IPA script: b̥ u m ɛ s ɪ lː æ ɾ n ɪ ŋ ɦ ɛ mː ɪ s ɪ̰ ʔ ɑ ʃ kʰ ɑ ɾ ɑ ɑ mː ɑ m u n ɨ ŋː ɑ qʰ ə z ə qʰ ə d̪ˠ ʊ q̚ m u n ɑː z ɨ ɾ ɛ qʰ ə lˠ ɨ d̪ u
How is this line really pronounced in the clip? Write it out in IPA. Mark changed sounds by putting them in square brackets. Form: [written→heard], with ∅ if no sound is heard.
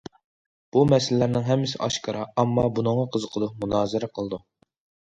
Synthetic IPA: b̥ u m ɛ s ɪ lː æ ɾ n ɪ ŋ ɦ ɛ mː ɪ s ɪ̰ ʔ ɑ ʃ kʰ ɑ ɾ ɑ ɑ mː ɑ [m→b] u n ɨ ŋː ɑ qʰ ə z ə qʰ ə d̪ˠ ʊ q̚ m u n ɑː z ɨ ɾ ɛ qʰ ə lˠ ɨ d̪ u